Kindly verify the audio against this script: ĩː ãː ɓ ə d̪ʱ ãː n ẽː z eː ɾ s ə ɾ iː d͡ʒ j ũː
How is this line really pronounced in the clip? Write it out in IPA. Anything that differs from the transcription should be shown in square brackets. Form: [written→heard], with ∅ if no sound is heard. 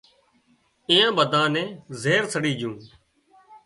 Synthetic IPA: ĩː ãː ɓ ə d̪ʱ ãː n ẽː z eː ɾ s ə [ɾ→ɽ] iː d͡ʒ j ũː